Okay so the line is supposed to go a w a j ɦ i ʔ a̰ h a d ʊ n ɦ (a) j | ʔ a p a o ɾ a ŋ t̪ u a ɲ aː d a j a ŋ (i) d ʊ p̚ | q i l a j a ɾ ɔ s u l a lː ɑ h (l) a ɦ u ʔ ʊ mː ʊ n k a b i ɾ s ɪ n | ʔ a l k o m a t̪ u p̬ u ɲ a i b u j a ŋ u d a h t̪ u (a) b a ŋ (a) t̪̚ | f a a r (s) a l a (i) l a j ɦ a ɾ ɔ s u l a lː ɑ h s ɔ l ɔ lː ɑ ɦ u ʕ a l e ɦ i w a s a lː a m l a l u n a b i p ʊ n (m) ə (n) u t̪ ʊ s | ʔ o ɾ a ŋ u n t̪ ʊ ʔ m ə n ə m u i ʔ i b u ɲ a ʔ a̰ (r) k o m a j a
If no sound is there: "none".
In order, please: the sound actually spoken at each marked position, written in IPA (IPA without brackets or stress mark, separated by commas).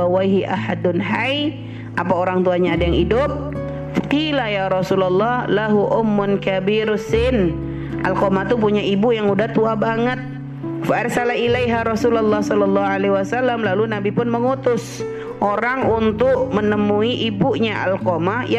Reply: a, i, l, a, ə, s, i, m, ŋ, l